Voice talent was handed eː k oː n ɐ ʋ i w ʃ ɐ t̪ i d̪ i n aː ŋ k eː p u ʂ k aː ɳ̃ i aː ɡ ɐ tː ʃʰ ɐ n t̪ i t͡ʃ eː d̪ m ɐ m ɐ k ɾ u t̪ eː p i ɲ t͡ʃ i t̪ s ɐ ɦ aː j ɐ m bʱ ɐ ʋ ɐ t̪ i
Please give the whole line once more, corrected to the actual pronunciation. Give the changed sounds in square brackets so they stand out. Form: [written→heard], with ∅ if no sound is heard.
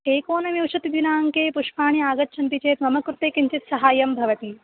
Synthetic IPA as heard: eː k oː n ɐ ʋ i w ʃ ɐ t̪ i d̪ i n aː ŋ k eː p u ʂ [k→p] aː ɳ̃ i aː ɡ ɐ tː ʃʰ ɐ n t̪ i t͡ʃ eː [d̪→t̪] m ɐ m ɐ k ɾ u t̪ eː [p→k] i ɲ t͡ʃ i t̪ s ɐ ɦ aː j ɐ m bʱ ɐ ʋ ɐ t̪ i